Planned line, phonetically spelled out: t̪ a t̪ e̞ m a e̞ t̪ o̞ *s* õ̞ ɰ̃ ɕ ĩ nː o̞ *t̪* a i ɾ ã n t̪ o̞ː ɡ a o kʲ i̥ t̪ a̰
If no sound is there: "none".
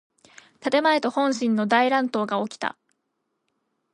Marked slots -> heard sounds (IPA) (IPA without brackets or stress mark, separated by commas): h, d̪